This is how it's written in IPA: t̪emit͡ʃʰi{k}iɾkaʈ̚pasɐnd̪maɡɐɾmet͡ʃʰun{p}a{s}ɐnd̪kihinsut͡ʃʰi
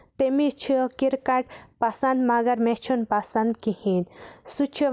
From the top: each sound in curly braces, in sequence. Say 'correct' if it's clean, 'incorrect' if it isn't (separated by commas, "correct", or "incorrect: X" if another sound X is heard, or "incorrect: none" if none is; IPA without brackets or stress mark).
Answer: correct, correct, correct